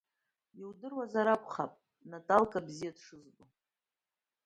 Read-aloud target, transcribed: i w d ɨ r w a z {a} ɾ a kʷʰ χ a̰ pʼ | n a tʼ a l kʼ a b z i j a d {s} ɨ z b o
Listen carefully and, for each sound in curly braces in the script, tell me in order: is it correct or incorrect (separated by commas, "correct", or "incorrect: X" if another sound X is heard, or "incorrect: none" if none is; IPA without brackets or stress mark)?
correct, incorrect: ʂ